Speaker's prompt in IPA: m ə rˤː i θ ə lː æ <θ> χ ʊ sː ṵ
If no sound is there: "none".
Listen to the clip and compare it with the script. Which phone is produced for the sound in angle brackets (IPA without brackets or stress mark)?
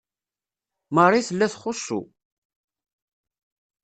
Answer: θ